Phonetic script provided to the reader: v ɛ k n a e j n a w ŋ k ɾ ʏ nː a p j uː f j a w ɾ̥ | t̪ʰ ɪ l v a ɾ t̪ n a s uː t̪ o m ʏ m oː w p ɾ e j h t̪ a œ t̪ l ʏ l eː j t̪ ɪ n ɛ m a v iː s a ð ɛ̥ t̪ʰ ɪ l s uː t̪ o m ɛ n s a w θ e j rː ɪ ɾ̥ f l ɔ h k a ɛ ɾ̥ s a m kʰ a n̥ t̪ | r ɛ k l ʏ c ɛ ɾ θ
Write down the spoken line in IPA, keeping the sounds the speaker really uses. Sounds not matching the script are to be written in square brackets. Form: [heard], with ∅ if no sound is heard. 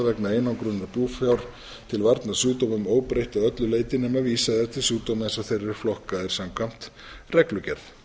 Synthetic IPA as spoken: v ɛ k n a e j n a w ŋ k ɾ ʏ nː a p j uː f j a w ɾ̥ | t̪ʰ ɪ l v a ɾ t̪ n a s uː t̪ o m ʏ m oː w p ɾ e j h t̪ a œ t̪ l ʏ l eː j t̪ ɪ n ɛ m a v iː s a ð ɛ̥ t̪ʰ ɪ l s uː t̪ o m ɛ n s a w θ e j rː ɪ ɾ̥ f l ɔ h k a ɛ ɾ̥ s a m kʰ a [m̥] t̪ | r ɛ k l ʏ c ɛ ɾ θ